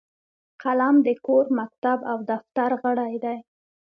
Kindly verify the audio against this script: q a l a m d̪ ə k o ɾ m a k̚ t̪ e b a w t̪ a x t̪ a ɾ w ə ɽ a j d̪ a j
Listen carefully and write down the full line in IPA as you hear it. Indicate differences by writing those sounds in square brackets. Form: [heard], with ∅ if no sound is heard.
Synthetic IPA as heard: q a l a m d̪ ə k o ɾ m a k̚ t̪ [a] b a w [d̪] a [f] t̪ a ɾ [ɣ] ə ɽ a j d̪ a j